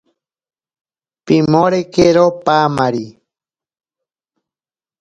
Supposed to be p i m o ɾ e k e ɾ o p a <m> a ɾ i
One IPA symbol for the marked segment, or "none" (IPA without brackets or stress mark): m